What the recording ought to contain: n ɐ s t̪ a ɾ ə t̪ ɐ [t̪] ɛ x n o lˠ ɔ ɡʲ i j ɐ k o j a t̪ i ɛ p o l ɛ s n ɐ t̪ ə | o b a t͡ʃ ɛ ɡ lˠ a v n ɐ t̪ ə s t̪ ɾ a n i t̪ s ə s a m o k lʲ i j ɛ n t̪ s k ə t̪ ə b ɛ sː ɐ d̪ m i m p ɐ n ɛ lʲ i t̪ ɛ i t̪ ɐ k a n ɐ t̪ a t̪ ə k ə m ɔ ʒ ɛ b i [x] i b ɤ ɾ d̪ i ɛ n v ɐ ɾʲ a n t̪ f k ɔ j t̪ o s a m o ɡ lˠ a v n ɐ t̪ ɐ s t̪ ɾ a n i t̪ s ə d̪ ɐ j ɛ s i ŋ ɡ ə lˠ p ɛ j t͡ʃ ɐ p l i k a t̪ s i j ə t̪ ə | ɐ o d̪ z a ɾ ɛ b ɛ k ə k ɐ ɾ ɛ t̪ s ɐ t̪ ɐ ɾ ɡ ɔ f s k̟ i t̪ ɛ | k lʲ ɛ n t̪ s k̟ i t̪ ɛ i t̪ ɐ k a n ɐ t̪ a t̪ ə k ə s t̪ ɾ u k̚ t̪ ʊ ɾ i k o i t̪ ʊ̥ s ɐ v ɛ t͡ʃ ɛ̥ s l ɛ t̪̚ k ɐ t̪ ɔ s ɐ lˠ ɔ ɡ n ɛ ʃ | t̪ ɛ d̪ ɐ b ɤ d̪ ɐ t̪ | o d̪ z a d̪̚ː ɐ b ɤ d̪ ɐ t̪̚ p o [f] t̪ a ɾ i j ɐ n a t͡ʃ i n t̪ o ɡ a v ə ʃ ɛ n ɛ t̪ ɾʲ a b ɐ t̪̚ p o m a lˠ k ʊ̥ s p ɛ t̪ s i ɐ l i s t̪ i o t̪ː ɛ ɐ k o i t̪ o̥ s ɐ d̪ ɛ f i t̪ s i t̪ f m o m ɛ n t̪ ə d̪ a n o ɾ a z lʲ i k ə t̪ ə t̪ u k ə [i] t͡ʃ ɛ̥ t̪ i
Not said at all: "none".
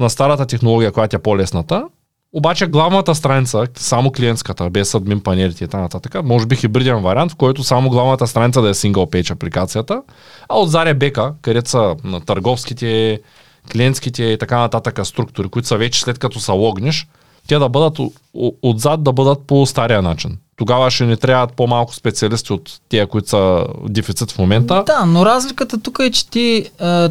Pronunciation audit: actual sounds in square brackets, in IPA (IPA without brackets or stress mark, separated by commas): t̪, x, s, ɛ